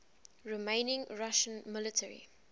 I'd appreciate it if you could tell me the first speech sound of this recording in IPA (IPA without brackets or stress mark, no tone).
ɹ